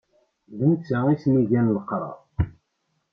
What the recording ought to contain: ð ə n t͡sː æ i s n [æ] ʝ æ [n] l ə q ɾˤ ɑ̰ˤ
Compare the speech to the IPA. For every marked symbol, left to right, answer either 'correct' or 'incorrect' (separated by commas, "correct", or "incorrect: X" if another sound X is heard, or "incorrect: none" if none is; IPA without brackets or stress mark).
incorrect: i, correct